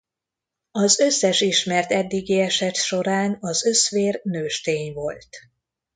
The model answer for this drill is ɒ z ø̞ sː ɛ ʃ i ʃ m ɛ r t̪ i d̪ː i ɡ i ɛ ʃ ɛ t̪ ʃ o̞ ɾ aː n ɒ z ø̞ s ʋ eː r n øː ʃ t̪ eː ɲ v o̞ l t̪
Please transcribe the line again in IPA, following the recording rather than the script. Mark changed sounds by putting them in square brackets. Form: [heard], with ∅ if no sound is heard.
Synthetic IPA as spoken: ɒ z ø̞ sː ɛ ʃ i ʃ m ɛ r t̪ [ɛ] d̪ː i ɡ i ɛ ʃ ɛ t̪ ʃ o̞ ɾ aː n ɒ z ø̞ s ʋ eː r n øː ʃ t̪ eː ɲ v o̞ l t̪